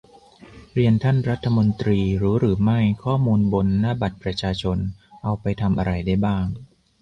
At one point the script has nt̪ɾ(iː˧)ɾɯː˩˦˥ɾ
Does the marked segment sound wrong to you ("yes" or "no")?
no